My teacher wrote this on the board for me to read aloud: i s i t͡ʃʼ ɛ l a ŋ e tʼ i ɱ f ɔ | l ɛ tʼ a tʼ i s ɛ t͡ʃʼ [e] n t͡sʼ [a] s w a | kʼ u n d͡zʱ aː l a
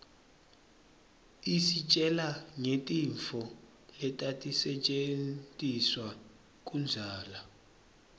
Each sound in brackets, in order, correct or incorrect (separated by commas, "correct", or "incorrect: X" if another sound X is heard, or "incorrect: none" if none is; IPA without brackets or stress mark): correct, incorrect: i